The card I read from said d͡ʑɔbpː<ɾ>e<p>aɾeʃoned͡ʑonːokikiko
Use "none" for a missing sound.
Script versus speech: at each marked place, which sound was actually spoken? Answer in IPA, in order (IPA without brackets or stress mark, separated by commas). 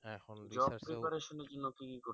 ɾ, p